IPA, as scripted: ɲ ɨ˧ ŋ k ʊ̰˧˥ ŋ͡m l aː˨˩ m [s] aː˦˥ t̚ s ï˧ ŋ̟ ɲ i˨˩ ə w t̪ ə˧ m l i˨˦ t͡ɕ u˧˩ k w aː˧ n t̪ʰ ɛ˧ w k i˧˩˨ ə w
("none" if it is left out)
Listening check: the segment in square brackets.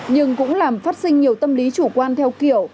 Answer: f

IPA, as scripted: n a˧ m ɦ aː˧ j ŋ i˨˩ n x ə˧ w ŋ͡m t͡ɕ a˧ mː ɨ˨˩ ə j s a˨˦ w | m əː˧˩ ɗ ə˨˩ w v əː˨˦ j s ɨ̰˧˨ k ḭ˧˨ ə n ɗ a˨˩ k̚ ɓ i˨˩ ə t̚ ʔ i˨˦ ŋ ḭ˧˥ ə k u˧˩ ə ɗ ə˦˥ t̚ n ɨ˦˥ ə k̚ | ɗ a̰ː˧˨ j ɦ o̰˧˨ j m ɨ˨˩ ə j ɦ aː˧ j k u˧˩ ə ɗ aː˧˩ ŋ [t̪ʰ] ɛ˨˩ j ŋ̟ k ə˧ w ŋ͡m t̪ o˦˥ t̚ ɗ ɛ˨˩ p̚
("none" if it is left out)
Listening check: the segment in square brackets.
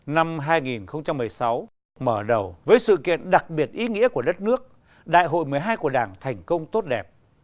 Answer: t̪ʰ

